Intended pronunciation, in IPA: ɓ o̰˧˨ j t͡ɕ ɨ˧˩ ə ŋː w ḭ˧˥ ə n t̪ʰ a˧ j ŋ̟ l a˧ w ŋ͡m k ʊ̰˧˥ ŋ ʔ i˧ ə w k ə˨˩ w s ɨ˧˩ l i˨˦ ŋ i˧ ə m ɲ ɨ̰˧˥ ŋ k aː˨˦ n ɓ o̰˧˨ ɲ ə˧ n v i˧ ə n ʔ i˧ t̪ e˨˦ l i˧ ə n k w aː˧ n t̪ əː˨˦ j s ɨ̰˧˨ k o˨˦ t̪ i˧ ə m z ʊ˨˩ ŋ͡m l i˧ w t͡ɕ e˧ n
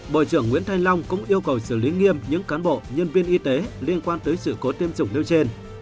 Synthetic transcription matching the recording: ɓ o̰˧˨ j t͡ɕ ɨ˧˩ ə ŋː w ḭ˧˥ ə n t̪ʰ a˧ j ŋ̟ l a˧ w ŋ͡m k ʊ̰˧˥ ŋ͡m ʔ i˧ ə w k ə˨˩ w s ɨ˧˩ l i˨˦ ŋ i˧ ə m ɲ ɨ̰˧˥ ŋ k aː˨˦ n ɓ o̰˧˨ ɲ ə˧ n v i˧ ə n ʔ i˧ t̪ e˨˦ l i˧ ə n k w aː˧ n t̪ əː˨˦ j s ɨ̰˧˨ k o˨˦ t̪ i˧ ə m z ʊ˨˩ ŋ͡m l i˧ w t͡ɕ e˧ n